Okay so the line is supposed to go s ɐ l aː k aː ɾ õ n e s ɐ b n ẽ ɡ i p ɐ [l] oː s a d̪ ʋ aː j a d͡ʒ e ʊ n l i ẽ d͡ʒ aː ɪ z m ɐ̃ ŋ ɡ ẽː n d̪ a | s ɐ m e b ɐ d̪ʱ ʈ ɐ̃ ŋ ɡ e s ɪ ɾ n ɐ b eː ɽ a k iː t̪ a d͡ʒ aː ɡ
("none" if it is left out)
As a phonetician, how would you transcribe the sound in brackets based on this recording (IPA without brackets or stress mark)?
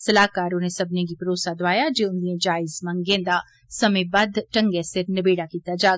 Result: ɾ